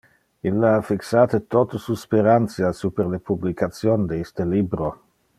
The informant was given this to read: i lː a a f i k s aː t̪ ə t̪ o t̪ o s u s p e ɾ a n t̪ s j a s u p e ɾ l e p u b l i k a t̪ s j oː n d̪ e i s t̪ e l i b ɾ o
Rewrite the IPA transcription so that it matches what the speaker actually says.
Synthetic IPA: i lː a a f i k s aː t̪ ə t̪ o t̪ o s u s p e ɾ a n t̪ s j a s u p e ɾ l e p u b l i k a t̪ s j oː n d̪ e i s t̪ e l i b ɾ o